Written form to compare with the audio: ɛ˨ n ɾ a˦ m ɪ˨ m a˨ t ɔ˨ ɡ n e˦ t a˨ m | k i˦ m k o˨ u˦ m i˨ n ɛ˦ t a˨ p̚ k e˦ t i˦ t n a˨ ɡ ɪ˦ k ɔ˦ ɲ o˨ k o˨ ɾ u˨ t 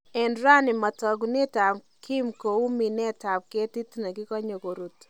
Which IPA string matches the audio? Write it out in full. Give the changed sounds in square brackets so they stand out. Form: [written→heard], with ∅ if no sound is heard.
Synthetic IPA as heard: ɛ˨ n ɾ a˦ [m→n] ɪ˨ m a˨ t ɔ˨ ɡ n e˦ t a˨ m | k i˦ m k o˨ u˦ m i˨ n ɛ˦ t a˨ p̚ k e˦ t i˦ t n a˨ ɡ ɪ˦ k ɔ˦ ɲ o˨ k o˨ ɾ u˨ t